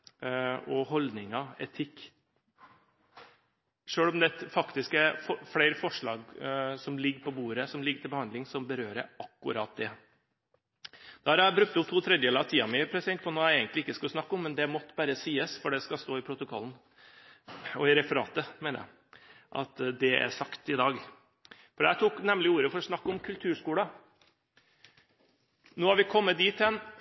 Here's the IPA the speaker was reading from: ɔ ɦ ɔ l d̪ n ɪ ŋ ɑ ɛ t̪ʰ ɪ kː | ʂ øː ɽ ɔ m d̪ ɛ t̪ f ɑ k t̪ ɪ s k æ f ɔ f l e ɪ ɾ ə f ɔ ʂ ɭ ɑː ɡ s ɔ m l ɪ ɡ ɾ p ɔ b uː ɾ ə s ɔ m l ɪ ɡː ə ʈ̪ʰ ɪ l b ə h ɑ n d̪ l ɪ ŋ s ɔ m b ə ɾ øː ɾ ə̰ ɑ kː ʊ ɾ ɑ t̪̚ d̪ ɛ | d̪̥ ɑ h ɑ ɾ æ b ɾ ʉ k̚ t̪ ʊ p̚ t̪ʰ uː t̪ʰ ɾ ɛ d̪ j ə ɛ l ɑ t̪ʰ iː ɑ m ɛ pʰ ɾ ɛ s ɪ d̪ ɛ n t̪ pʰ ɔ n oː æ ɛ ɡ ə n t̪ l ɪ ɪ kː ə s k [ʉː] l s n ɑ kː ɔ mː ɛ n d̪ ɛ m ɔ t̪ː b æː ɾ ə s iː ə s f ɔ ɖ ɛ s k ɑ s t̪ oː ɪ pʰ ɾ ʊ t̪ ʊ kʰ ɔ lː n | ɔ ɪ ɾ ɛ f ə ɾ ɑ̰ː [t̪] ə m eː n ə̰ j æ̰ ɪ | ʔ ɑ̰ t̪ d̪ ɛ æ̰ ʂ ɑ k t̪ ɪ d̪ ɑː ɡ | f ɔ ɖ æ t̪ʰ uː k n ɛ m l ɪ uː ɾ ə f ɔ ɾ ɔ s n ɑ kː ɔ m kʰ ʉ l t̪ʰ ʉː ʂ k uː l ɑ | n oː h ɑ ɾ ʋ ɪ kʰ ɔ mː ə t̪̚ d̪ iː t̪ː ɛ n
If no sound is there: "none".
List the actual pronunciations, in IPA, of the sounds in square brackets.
ʉ, t̪

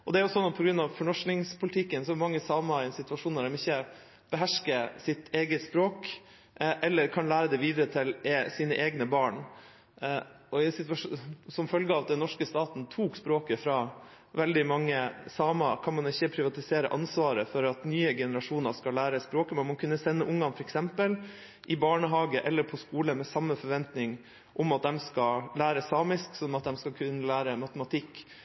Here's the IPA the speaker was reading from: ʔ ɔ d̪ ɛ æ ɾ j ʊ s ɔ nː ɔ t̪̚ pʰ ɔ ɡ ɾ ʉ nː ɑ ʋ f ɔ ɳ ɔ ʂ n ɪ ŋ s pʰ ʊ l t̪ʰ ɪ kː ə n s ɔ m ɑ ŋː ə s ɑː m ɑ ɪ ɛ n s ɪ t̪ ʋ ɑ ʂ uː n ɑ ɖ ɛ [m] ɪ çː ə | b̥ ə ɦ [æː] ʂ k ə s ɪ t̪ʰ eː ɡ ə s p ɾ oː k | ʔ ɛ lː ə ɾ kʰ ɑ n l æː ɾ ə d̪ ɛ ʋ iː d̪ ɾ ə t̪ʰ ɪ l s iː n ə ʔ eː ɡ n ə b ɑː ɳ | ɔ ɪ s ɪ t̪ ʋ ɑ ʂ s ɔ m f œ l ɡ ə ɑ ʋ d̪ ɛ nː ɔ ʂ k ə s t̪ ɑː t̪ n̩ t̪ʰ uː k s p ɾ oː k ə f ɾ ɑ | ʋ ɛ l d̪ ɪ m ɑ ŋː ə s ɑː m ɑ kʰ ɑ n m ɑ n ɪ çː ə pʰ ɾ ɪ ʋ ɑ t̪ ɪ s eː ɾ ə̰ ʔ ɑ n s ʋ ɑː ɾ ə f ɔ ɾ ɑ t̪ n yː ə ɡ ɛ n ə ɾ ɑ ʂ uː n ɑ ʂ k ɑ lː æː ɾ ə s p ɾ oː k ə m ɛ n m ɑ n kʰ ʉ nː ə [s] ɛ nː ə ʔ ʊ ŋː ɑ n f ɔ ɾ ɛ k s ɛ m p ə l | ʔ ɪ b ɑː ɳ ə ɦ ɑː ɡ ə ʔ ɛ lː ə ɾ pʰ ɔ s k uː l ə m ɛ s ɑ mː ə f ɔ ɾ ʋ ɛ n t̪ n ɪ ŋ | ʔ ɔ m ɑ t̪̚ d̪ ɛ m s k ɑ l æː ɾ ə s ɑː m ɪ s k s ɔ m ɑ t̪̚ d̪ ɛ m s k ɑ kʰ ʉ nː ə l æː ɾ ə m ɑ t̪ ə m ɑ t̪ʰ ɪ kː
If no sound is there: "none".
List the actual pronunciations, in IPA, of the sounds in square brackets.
m, æ, s

